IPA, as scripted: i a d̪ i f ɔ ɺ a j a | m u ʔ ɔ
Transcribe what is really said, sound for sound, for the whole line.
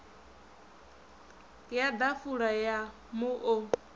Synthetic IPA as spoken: j a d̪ a f u ɺ a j a | m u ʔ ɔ